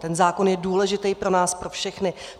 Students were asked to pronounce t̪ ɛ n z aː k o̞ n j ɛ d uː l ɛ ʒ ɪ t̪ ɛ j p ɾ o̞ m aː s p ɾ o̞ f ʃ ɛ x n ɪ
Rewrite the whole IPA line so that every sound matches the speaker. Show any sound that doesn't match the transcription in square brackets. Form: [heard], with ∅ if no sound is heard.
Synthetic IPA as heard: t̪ ɛ n z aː k o̞ n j ɛ d uː l ɛ ʒ ɪ t̪ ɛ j p ɾ o̞ [n] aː s p ɾ o̞ f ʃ ɛ x n ɪ